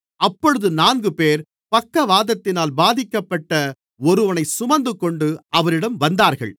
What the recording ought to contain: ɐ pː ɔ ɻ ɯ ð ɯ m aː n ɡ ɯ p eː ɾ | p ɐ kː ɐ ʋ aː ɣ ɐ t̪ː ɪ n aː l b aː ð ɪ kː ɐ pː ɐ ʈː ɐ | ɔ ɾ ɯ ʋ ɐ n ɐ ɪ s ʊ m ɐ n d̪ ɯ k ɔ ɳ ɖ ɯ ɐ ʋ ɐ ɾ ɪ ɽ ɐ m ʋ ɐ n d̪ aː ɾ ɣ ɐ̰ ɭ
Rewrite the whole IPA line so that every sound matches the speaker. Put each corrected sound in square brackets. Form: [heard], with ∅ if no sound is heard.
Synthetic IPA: ɐ pː ɔ ɻ ɯ ð ɯ [n] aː n ɡ ɯ p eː ɾ | p ɐ kː ɐ ʋ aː [ð] ɐ t̪ː ɪ n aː l b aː ð ɪ kː ɐ pː ɐ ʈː ɐ | ɔ ɾ ɯ ʋ ɐ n ɐ ɪ s ʊ m ɐ n d̪ ɯ k ɔ ɳ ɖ ɯ ɐ ʋ ɐ ɾ ɪ ɽ ɐ m ʋ ɐ n d̪ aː ɾ ɣ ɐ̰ ɭ